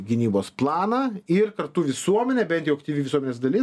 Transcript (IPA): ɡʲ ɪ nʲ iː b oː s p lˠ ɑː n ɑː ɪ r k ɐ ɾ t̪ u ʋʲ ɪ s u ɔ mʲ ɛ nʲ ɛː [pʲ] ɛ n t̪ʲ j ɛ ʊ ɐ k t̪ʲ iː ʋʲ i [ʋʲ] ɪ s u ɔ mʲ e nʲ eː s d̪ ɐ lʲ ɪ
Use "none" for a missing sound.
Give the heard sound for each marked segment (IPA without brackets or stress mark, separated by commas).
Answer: bʲ, ʋʲ